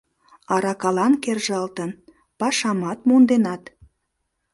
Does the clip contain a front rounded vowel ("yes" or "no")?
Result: no